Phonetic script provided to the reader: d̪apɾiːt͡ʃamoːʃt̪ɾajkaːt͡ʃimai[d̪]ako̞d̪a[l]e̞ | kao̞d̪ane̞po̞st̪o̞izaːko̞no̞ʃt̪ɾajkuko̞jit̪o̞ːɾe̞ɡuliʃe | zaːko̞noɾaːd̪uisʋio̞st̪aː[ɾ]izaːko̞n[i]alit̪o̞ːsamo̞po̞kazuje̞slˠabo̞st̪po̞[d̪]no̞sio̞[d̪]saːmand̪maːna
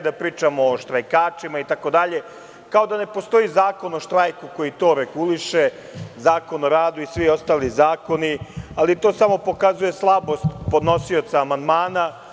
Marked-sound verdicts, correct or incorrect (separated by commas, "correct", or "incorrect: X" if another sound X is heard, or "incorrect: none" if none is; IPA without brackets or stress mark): incorrect: t̪, incorrect: ʎ, incorrect: l, correct, correct, incorrect: t̪